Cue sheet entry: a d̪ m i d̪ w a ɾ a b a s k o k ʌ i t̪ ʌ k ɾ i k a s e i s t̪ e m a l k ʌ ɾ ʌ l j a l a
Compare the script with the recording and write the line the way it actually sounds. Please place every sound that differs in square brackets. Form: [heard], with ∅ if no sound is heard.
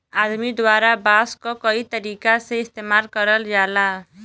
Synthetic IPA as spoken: a d̪ m i d̪ w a ɾ a b a s k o k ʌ i t̪ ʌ [∅] ɾ i k a s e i s t̪ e m a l k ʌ ɾ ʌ l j a l a